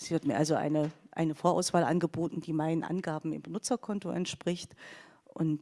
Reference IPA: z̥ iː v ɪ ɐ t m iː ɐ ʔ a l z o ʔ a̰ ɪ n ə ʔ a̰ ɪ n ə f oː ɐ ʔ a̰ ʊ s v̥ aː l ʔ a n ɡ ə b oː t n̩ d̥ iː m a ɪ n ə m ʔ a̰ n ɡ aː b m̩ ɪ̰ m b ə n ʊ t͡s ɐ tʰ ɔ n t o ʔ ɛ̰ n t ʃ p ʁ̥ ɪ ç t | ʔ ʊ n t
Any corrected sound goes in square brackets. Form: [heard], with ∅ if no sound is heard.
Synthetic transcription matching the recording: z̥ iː v ɪ ɐ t m iː ɐ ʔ a l z o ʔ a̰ ɪ n ə ʔ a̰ ɪ n ə f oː ɐ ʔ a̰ ʊ s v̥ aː l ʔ a n ɡ ə b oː t n̩ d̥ iː m a ɪ n ə [n] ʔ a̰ n ɡ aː b m̩ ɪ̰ m b ə n ʊ t͡s ɐ [kʰ] ɔ n t o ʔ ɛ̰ n t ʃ p ʁ̥ ɪ ç t | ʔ ʊ n t